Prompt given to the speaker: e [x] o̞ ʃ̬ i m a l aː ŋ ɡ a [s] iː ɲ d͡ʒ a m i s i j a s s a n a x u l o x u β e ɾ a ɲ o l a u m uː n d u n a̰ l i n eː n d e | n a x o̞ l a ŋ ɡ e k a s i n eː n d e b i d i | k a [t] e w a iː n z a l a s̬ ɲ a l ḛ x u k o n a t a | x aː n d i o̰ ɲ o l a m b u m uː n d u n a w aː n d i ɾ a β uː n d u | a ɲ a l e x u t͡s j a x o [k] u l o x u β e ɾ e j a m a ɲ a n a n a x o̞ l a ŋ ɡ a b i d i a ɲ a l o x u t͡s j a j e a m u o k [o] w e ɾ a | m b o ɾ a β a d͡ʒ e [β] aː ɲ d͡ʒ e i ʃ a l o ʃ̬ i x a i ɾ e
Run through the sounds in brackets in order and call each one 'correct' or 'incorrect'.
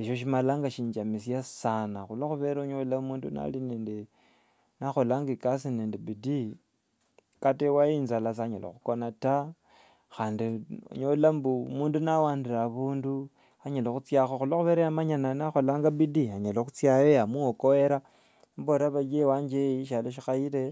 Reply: incorrect: ʃ, incorrect: ʃ, correct, incorrect: x, correct, incorrect: w

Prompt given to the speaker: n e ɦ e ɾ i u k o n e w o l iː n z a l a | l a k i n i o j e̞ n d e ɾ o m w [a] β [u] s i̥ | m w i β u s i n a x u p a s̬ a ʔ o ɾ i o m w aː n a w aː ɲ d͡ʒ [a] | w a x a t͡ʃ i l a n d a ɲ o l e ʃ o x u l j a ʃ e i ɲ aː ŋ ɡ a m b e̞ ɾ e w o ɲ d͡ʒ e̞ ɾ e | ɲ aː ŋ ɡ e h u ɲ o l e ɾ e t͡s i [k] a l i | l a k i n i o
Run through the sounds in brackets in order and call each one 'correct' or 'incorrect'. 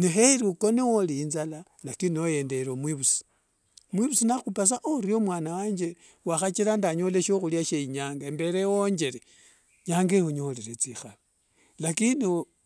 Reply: incorrect: i, correct, incorrect: e, incorrect: x

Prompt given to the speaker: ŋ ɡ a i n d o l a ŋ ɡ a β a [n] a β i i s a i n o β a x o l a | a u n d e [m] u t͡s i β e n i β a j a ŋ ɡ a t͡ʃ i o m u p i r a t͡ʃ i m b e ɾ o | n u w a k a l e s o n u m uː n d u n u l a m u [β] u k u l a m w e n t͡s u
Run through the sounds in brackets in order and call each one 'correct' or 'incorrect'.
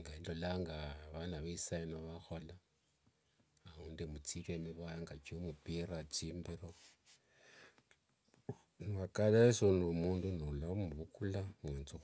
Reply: correct, correct, correct

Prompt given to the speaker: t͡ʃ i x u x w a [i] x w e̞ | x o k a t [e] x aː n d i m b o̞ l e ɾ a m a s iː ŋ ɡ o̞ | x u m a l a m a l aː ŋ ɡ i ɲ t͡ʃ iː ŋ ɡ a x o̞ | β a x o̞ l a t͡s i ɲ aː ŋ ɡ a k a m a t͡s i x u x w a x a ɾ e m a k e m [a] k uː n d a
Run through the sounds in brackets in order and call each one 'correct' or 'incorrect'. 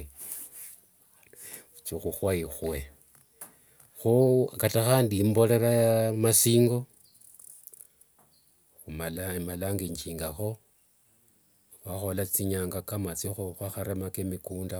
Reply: correct, incorrect: a, incorrect: i

